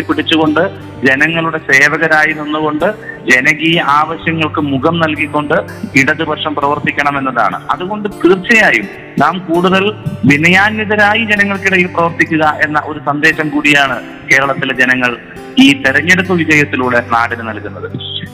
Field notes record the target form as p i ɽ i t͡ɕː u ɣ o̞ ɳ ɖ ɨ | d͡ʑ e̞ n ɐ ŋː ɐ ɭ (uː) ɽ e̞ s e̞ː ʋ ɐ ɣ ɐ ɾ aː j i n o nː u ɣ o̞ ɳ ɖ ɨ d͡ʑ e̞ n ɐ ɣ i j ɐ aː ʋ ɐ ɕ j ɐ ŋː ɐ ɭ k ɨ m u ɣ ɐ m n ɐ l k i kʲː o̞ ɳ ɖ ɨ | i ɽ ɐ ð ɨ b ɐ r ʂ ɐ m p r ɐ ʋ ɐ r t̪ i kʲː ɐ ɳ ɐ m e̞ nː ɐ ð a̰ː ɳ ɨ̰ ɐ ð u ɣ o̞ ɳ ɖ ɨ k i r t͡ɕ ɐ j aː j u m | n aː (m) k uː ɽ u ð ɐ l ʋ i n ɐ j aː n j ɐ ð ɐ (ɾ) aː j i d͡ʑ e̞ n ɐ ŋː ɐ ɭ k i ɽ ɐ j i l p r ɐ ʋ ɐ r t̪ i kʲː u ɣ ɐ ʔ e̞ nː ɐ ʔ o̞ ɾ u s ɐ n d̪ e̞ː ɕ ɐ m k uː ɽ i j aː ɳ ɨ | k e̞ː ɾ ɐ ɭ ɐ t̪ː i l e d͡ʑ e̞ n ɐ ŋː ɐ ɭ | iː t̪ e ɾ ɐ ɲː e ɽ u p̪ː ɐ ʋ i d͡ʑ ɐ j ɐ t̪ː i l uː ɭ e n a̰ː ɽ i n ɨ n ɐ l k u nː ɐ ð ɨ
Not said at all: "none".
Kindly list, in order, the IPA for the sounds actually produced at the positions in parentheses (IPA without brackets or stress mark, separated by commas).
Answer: u, m, ɾ